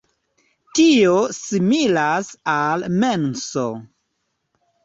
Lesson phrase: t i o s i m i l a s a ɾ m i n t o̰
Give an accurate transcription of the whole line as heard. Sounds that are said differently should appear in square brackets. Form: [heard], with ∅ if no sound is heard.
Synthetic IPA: t i o s i m i l a s a [l] m [e] n [s] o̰